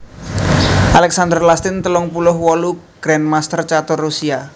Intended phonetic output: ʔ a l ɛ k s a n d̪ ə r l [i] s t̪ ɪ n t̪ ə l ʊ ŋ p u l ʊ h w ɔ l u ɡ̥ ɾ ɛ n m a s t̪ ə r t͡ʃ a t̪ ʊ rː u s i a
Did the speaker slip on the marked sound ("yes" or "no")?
yes